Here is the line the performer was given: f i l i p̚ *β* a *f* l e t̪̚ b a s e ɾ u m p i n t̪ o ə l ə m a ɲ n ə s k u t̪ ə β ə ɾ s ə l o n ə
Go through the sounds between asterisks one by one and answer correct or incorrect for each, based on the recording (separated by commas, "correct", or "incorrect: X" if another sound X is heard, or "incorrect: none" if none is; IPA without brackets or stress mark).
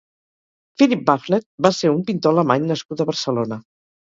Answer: incorrect: b, correct